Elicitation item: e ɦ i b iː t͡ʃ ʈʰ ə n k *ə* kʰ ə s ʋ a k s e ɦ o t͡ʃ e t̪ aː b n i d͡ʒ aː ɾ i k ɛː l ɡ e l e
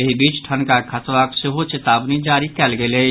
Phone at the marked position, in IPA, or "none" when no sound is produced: a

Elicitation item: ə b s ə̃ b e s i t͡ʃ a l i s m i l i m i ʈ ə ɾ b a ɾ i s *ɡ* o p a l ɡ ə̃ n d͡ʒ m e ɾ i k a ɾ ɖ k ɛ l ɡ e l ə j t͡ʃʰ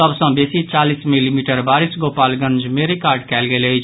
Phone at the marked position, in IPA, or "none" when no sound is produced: ɡ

